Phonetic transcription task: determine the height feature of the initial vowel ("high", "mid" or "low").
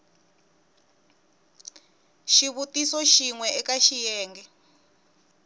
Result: high